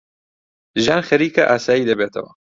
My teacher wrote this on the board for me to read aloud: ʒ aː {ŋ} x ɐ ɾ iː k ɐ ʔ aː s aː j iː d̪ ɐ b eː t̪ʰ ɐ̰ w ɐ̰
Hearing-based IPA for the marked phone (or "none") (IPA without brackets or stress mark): n